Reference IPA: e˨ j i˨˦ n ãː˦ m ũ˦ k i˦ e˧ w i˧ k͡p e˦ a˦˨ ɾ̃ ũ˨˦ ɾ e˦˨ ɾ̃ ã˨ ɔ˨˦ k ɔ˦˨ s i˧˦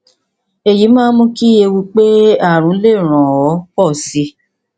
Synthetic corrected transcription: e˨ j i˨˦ m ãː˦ m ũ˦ k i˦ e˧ w i˧ k͡p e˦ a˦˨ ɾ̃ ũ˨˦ l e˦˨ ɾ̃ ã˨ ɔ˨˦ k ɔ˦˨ s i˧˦